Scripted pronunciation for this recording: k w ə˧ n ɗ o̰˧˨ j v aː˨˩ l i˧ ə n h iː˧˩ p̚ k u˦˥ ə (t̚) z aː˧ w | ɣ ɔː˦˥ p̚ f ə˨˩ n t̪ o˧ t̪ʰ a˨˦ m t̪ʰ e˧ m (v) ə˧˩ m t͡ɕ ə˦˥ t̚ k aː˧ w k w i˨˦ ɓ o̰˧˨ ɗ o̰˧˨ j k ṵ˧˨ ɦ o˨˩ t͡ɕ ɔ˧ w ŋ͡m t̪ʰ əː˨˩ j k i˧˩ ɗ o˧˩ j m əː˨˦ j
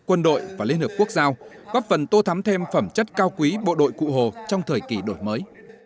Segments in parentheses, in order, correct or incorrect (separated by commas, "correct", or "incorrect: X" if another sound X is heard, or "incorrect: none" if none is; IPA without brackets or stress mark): incorrect: k̚, incorrect: f